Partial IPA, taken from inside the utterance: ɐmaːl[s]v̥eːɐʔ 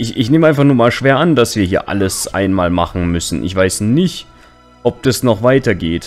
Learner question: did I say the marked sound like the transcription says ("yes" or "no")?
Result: no